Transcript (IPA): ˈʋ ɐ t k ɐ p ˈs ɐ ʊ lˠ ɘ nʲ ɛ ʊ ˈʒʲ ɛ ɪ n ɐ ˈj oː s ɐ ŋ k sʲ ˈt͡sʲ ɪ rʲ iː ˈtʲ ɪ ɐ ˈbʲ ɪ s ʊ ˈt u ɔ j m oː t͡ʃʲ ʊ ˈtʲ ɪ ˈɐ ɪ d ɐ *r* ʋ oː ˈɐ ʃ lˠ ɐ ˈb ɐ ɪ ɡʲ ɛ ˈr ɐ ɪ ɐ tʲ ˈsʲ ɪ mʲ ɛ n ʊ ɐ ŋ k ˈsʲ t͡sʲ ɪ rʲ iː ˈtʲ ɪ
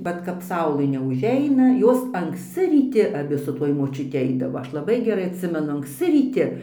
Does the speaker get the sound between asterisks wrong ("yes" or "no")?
yes